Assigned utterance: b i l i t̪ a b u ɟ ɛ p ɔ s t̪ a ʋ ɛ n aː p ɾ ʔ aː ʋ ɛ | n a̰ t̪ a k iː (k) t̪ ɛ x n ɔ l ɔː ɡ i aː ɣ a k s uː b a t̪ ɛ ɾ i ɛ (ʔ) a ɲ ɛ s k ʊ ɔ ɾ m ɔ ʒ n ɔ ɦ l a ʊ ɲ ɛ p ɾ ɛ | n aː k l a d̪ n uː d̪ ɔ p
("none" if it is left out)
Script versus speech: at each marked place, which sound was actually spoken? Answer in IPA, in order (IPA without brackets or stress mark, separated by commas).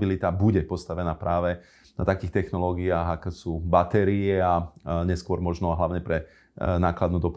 x, none